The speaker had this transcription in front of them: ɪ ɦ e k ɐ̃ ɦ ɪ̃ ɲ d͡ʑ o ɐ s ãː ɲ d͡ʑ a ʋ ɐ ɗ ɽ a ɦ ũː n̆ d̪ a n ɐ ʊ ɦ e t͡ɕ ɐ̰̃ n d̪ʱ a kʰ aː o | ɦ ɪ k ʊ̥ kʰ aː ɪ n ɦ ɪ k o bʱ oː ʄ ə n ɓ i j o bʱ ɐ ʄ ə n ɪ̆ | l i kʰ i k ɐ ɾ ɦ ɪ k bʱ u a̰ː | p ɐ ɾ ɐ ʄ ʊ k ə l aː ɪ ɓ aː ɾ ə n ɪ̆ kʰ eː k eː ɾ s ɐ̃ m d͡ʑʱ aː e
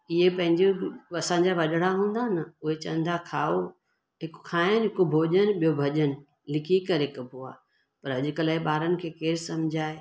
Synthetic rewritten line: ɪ ɦ e p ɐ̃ ɦ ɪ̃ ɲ d͡ʑ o ɐ s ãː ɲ d͡ʑ a ʋ ɐ ɗ ɽ a ɦ ũː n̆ d̪ a n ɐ ʊ ɦ e t͡ɕ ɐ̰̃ n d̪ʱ a kʰ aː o | ɦ ɪ k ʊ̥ kʰ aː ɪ n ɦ ɪ k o bʱ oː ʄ ə n ɓ i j o bʱ ɐ ʄ ə n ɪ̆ | l ɪ kʰ i k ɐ ɾ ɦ ɪ k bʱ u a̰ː | p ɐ ɾ ɐ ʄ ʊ k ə l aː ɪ ɓ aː ɾ ə n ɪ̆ kʰ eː k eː ɾ s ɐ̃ m d͡ʑʱ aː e